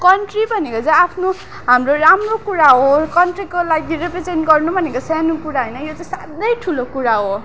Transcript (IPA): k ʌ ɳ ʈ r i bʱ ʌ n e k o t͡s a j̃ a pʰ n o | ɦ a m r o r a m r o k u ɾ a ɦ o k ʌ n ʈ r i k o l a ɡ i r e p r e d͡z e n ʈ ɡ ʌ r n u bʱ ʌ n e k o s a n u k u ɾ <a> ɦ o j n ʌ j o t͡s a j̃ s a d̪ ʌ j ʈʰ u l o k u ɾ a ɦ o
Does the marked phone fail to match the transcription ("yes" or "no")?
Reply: no